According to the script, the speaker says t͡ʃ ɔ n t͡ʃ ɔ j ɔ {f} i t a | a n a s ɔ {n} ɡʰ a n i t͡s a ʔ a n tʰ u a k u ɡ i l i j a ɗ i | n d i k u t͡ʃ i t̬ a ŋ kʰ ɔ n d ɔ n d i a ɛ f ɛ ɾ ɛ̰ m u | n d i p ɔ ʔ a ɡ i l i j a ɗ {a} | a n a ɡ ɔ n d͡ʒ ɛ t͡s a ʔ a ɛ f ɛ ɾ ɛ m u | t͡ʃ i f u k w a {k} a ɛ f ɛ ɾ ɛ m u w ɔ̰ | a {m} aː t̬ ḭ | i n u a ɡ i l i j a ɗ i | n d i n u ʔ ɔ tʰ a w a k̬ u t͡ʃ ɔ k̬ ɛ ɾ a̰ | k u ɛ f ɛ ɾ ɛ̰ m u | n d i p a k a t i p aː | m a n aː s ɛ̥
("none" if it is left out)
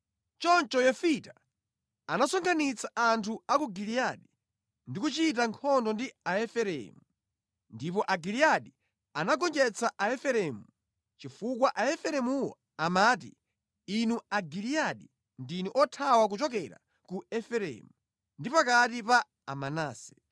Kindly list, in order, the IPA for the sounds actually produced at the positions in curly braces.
f, ŋ, i, ʔ, m

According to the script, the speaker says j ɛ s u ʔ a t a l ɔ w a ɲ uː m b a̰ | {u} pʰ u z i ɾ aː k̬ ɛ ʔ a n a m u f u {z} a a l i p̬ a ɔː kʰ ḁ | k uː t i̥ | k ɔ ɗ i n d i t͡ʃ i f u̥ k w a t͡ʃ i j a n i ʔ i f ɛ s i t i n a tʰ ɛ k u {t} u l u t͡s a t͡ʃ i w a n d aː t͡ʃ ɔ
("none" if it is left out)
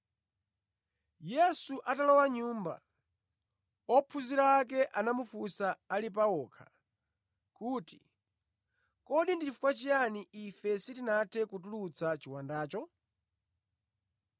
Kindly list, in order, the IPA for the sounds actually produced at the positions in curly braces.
ɔ, s, t

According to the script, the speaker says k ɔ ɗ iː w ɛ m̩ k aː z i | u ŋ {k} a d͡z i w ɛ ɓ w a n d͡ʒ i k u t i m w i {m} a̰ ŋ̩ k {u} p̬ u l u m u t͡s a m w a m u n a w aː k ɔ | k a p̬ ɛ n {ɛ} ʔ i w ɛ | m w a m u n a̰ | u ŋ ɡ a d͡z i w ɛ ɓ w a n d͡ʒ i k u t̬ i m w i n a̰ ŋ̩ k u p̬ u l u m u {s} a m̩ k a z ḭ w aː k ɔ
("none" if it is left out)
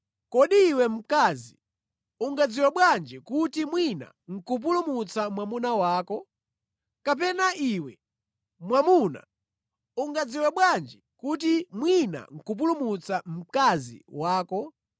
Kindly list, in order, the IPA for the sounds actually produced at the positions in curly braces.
ɡ, n, u, a, t͡s

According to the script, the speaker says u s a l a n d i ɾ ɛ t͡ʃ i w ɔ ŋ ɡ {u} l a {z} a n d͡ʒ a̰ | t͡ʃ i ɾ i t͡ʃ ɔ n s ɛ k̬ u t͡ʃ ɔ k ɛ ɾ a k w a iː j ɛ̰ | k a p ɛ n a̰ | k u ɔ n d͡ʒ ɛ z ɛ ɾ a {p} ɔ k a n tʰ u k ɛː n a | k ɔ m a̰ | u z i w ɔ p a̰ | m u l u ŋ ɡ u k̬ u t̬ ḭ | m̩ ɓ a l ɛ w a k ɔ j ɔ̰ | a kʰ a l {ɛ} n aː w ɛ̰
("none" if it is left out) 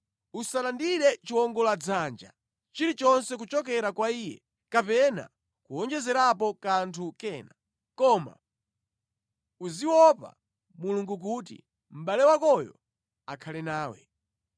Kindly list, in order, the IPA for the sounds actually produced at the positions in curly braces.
ɔ, d͡z, p, ɛ

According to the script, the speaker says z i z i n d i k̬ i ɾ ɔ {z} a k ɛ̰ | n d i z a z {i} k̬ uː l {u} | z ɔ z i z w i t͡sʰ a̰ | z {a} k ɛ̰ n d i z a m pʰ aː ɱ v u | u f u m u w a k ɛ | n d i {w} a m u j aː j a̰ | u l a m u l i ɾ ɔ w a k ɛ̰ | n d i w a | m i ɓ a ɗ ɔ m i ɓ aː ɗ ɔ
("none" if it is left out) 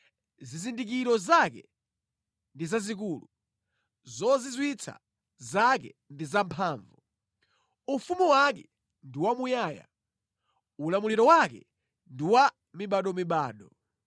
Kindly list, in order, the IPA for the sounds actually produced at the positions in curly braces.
z, i, u, a, w

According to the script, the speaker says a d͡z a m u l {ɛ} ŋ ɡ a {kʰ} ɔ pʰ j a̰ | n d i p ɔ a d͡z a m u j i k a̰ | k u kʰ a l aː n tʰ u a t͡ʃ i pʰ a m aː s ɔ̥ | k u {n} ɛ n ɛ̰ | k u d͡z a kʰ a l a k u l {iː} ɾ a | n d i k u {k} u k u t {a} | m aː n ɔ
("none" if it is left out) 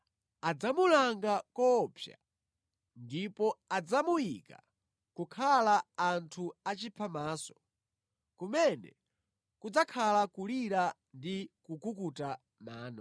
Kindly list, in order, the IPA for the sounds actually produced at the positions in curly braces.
a, k, m, i, k, a

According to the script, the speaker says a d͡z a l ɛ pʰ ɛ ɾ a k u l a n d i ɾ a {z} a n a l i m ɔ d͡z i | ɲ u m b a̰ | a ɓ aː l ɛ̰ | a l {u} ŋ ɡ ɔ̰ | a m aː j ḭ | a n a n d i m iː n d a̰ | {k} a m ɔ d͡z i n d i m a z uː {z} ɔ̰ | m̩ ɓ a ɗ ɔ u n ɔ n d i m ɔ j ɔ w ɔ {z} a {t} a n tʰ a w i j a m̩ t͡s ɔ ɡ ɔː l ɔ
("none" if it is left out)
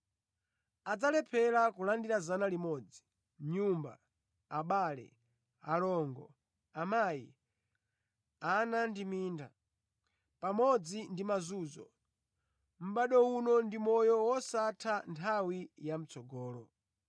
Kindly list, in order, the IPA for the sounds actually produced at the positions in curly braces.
z, ɔ, p, z, s, tʰ

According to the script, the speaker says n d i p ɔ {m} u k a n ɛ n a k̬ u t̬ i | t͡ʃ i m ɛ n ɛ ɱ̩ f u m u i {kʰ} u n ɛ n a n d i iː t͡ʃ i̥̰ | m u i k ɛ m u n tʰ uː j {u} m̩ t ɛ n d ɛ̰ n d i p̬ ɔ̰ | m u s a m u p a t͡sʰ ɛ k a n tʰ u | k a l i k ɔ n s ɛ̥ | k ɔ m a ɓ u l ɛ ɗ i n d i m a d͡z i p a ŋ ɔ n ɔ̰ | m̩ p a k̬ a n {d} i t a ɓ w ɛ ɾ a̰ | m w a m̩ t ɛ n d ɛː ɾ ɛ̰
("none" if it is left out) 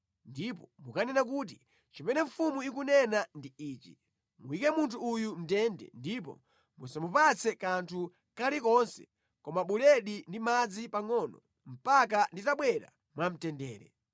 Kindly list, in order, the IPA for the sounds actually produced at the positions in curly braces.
m, k, u, d

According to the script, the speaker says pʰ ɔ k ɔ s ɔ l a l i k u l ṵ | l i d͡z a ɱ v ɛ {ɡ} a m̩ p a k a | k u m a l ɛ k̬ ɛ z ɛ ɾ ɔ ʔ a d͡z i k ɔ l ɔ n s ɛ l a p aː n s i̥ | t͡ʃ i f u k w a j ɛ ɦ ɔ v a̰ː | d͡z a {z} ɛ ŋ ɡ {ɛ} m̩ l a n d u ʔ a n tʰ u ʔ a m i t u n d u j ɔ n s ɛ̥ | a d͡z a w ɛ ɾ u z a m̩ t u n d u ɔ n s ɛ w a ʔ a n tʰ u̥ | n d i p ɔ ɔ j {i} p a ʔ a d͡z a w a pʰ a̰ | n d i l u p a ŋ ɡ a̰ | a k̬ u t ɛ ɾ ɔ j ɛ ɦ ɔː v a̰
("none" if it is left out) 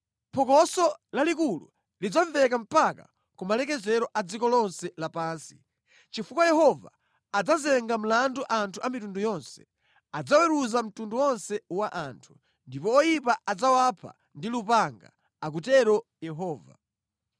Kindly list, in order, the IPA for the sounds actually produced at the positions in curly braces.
k, z, a, i

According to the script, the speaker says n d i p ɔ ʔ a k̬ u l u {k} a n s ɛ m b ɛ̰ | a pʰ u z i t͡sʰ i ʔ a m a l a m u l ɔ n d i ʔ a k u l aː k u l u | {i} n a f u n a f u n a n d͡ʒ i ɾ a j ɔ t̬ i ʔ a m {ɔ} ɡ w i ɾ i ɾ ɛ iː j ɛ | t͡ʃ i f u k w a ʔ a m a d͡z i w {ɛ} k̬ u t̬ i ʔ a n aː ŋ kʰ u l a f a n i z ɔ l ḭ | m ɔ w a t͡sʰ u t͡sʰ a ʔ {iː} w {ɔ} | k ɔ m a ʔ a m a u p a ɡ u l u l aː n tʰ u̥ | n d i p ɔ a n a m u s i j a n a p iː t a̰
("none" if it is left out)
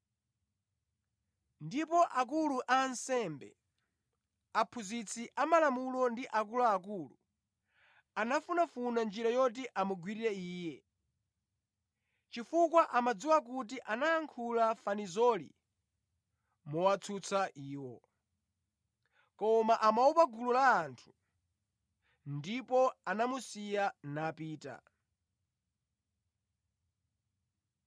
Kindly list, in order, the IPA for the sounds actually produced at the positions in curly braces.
ʔ, a, u, a, iː, ɔ

